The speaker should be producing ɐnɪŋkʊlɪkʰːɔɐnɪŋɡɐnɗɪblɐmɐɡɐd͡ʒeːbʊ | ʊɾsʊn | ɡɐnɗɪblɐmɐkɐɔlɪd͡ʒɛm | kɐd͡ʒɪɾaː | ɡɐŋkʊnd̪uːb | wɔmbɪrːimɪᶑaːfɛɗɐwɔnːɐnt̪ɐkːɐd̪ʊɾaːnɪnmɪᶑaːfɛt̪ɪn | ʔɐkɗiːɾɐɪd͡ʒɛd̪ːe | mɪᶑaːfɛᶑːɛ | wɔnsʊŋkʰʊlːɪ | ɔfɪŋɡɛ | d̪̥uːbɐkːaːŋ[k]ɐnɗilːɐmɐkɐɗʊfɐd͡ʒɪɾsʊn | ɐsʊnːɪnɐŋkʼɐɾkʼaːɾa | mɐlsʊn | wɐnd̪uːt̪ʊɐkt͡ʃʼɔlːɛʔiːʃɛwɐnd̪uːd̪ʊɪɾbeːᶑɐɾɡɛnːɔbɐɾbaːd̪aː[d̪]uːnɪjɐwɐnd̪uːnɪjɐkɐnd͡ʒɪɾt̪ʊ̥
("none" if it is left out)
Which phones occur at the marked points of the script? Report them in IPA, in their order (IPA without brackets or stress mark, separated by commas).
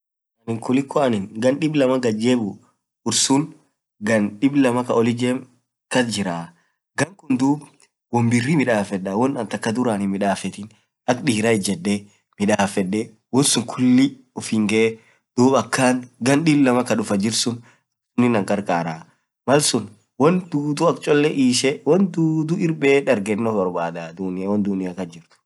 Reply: ɡ, d̪